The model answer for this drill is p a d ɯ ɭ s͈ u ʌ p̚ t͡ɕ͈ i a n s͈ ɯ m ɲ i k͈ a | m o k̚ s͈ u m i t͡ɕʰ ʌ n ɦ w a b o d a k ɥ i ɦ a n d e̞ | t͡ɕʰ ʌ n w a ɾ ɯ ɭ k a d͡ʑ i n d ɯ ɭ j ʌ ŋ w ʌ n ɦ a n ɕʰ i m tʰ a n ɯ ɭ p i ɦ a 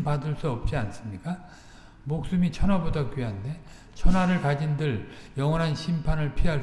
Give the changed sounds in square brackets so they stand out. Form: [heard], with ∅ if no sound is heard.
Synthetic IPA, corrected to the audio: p a d ɯ ɭ s͈ u ʌ p̚ t͡ɕ͈ i a n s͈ ɯ m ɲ i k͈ a | m o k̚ s͈ u m i t͡ɕʰ ʌ n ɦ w a b o d a k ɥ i ɦ a n d e̞ | t͡ɕʰ ʌ n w a ɾ ɯ ɭ k a d͡ʑ i n d ɯ ɭ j ʌ ŋ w ʌ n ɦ a n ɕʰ i m [pʰ] a n ɯ ɭ [pʰ] i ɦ a